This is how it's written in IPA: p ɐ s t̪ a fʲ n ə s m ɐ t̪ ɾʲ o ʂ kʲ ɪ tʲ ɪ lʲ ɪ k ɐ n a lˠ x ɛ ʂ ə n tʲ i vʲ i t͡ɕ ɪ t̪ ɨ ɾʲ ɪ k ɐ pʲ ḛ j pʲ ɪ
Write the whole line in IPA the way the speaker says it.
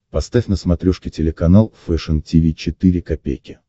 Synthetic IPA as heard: p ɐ s t̪ a fʲ n ə s m ɐ t̪ ɾʲ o ʂ kʲ ɪ tʲ ɪ lʲ ɪ k ɐ n a lˠ f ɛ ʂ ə n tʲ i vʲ i t͡ɕ ɪ t̪ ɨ ɾʲ ɪ k ɐ pʲ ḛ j kʲ ɪ